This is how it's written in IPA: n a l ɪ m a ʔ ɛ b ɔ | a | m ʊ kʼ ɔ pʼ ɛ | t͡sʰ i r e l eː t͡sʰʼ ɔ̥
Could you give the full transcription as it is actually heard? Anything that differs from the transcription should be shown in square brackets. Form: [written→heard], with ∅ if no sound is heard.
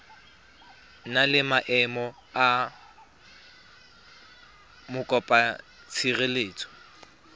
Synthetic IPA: n a l ɪ m a ʔ ɛ [b→m] ɔ | a | m ʊ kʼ ɔ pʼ [ɛ→a] | t͡sʰ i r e l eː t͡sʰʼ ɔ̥